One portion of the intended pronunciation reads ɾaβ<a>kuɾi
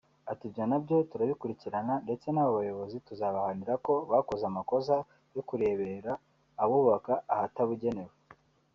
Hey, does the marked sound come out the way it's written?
no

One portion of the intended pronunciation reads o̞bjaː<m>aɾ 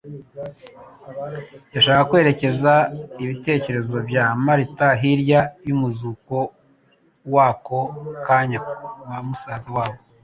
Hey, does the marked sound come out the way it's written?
yes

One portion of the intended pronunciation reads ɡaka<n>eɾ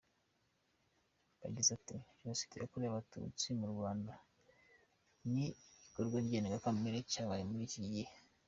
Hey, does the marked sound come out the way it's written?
no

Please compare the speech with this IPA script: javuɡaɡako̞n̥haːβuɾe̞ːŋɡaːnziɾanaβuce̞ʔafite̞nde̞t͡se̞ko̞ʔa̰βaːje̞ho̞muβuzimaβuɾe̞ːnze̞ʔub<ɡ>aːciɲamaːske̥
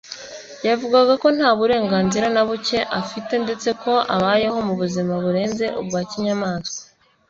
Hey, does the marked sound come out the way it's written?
yes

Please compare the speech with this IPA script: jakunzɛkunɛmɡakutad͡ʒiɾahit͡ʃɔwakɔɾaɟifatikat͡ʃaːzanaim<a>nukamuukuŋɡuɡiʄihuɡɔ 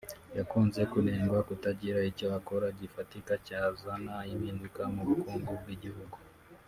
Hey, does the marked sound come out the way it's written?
no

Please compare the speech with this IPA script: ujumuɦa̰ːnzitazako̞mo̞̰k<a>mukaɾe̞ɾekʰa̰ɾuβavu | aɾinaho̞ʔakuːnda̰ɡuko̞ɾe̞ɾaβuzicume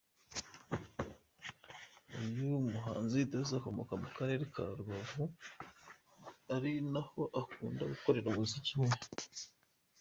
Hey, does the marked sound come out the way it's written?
yes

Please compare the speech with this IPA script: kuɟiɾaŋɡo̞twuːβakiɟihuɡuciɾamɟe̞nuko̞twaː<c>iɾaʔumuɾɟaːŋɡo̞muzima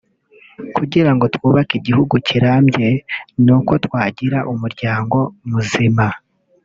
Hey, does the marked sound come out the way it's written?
no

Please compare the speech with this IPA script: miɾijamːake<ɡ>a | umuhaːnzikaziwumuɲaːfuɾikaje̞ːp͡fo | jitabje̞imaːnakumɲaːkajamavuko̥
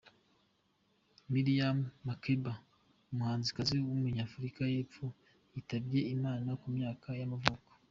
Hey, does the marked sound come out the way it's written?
no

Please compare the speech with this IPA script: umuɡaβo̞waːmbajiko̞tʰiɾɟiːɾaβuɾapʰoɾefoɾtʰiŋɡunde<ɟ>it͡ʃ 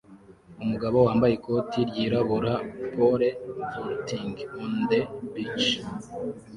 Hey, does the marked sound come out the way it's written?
no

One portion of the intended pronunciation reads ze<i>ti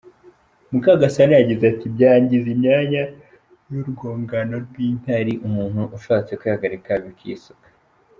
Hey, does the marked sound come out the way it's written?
no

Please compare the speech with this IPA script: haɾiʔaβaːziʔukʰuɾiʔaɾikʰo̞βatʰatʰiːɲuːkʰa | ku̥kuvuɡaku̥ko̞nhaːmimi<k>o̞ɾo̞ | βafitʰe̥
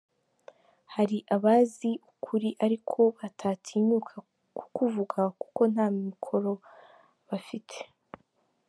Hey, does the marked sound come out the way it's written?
no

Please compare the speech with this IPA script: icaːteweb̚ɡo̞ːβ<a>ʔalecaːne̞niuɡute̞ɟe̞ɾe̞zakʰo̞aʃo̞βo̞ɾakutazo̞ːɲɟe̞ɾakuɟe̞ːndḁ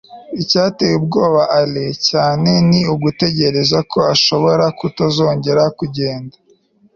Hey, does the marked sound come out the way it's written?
yes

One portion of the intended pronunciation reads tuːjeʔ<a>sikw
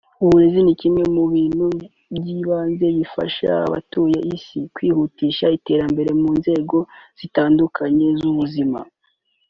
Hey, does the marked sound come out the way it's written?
no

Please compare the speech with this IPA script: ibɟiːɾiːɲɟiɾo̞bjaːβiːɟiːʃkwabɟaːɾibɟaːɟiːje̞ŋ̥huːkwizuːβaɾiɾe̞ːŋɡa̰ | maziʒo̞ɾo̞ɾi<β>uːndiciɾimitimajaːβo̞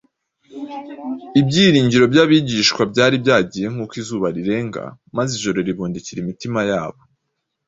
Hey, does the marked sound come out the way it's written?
yes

